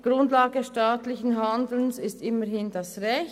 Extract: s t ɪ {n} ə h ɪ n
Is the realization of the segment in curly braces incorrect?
yes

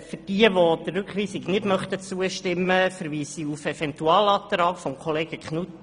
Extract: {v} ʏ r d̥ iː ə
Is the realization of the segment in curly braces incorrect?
yes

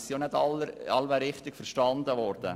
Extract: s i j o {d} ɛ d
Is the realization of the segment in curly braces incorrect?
yes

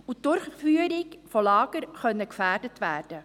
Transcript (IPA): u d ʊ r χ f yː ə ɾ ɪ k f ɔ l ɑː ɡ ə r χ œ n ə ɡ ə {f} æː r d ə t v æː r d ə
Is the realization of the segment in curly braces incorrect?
no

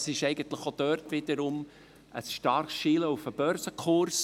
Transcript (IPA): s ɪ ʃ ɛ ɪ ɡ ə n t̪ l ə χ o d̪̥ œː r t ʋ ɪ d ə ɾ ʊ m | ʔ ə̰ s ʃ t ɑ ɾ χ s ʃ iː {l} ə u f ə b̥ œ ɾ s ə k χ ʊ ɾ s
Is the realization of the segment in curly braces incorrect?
no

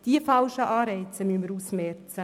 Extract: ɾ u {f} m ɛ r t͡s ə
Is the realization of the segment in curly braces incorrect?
yes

